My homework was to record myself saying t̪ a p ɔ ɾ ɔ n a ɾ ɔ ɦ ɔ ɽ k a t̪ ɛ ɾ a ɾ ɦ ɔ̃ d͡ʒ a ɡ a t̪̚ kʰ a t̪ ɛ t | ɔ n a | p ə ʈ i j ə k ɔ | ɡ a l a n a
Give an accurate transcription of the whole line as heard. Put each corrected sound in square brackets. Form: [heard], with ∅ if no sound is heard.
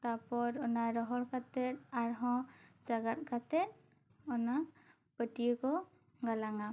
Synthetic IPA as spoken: t̪ a p ɔ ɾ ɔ n a ɾ ɔ ɦ ɔ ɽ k a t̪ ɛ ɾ a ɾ ɦ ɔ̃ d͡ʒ a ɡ a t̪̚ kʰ a t̪ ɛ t | ɔ n a | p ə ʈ i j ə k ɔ | ɡ a l a [ŋ] a

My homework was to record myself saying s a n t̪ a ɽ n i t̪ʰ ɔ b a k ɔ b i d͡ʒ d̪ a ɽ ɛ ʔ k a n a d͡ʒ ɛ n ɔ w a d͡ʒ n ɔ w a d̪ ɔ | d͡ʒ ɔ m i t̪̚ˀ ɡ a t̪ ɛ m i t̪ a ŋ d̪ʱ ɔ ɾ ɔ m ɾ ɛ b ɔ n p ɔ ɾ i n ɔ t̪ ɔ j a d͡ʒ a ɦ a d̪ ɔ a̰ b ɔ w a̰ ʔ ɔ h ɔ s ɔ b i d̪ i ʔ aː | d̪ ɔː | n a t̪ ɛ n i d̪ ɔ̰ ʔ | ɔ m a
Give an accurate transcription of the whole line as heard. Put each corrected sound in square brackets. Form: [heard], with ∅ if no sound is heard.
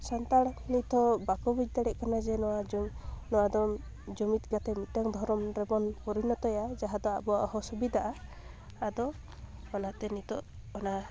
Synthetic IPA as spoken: s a n t̪ a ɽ n i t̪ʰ ɔ b a k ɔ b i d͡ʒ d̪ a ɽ ɛ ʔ k a n a d͡ʒ ɛ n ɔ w a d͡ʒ n ɔ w a d̪ ɔ | d͡ʒ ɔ m i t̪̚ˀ ɡ a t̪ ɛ m i t̪ a ŋ d̪ʱ ɔ ɾ ɔ m ɾ ɛ b ɔ n p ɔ ɾ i n ɔ t̪ ɔ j a d͡ʒ a ɦ a d̪ ɔ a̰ b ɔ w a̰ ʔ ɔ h ɔ s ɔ b i d̪ [a] ʔ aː | d̪ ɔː | n a t̪ ɛ n i [t̪] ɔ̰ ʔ | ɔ [n] a

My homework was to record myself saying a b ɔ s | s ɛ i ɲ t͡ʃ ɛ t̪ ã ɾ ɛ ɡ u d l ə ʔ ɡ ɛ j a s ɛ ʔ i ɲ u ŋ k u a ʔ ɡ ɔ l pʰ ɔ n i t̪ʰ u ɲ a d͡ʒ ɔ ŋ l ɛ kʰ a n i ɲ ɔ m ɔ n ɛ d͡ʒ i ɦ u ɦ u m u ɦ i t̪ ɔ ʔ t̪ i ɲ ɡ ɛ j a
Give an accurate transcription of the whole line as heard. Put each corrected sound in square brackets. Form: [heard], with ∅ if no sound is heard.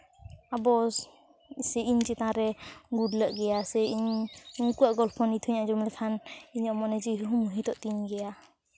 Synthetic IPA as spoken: a b ɔ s | s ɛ i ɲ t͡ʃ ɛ t̪ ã ɾ ɛ ɡ u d l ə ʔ ɡ ɛ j a s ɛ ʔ i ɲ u ŋ k u a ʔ ɡ ɔ l pʰ ɔ n i t̪ʰ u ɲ a d͡ʒ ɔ [m] l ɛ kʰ a n i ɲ ɔ m ɔ n ɛ d͡ʒ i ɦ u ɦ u m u ɦ i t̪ ɔ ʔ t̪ i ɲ ɡ ɛ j a

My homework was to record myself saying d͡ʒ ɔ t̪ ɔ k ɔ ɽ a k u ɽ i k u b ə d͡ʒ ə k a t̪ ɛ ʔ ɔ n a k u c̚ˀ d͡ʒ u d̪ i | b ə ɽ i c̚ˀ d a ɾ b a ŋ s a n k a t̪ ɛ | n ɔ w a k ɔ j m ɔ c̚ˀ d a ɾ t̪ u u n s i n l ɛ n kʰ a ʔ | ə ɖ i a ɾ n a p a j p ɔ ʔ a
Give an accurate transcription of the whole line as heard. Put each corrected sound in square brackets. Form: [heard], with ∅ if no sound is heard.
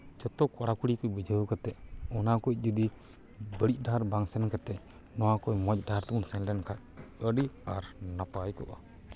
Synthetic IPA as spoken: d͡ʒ ɔ t̪ ɔ k ɔ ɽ a k u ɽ i k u b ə d͡ʒ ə k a t̪ ɛ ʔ ɔ n a k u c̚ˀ d͡ʒ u d̪ i | b ə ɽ i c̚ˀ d a ɾ b a ŋ s [ɛ] n k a t̪ ɛ | n ɔ w a k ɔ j m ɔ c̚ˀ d a ɾ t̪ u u n s [ɛ] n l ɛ n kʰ a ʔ | ə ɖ i a ɾ n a p a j [k] ɔ ʔ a

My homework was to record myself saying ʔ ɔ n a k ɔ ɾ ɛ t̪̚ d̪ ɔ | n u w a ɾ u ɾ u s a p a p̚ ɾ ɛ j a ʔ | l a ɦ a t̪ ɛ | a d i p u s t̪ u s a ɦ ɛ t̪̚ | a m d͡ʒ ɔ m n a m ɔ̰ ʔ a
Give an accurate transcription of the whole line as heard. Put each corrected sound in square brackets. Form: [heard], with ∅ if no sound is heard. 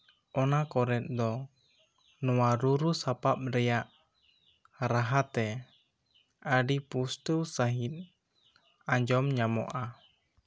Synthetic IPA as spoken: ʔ ɔ n a k ɔ ɾ ɛ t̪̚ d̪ ɔ | n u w a ɾ u ɾ u s a p a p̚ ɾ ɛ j a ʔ | [ɾ] a ɦ a t̪ ɛ | a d i p u s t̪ u s a ɦ [i] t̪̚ | a [ɲ] d͡ʒ ɔ m [ɲ] a m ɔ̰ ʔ a

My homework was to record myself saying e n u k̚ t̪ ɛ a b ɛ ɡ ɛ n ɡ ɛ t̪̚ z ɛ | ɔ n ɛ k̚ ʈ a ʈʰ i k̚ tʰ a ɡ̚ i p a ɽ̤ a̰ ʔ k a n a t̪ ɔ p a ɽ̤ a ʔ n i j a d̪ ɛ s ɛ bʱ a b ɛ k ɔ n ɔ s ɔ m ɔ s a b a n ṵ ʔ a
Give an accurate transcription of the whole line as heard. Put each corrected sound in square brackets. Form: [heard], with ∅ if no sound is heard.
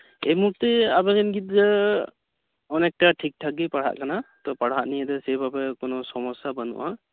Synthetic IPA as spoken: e [m] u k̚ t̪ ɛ a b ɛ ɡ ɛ n ɡ [i] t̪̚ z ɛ | ɔ n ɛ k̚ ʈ a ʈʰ i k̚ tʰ a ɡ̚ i p a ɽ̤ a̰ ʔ k a n a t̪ ɔ p a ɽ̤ a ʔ n i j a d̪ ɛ s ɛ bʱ a b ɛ k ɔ n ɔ s ɔ m ɔ s a b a n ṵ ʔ a

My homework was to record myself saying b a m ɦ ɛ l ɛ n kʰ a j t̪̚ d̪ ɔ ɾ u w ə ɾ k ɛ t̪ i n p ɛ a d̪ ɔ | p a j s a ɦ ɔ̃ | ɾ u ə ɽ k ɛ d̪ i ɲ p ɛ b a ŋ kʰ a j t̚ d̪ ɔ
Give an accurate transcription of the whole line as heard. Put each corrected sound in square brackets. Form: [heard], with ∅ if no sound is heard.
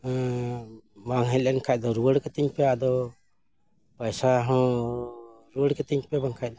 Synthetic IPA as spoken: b a [ŋ] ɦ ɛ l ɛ n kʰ a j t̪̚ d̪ ɔ ɾ u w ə [ɽ] k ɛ t̪ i [ɲ] p ɛ a d̪ ɔ | p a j s a ɦ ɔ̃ | ɾ u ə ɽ k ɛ [t̪] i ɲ p ɛ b a ŋ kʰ a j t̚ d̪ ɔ

